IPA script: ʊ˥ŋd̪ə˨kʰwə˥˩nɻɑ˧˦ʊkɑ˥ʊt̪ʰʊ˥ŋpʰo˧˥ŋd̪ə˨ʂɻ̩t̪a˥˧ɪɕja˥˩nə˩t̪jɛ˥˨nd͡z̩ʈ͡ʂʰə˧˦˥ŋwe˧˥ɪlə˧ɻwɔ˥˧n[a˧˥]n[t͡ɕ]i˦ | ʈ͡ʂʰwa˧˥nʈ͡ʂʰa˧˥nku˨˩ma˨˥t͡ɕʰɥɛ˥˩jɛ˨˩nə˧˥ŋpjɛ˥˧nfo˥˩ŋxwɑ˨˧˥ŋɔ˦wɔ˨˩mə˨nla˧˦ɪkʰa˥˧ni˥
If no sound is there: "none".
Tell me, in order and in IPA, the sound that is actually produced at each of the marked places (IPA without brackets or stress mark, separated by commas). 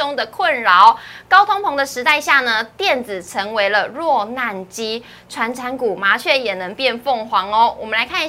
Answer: a˥˩, t͡ɕ